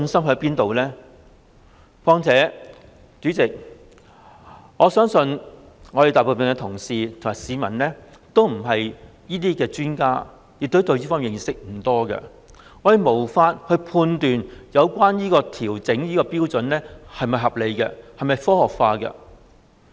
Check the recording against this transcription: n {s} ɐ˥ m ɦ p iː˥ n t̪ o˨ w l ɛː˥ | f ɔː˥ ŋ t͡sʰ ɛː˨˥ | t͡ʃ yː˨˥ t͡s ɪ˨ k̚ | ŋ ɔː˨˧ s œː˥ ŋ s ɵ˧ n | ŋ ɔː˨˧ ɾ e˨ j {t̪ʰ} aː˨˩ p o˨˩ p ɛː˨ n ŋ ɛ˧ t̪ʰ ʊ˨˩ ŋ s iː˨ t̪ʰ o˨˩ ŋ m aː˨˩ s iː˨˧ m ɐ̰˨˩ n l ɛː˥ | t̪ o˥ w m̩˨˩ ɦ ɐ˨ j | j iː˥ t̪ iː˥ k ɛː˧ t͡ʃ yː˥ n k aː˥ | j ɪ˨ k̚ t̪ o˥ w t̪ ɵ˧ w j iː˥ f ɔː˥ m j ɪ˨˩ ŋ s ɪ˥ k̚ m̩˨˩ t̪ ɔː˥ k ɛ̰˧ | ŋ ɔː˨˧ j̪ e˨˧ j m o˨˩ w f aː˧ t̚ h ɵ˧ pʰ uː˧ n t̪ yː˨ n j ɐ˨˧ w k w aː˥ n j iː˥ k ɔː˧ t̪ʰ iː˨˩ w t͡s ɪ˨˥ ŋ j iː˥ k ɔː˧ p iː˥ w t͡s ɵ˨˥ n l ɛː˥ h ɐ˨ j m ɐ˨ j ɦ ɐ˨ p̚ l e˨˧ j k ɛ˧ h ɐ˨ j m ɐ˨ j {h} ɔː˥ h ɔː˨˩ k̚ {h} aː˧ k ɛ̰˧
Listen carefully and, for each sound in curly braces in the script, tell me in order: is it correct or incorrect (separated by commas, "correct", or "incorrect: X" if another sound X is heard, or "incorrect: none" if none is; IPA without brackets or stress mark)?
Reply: correct, incorrect: t̪, incorrect: f, incorrect: f